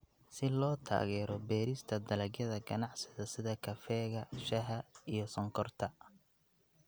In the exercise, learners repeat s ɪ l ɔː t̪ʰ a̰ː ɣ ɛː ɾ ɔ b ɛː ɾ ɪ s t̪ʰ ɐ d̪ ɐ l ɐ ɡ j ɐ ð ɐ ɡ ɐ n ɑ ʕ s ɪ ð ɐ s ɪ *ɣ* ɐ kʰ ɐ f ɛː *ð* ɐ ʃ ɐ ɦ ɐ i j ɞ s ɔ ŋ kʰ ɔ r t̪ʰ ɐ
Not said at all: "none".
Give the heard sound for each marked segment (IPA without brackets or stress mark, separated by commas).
ð, ɣ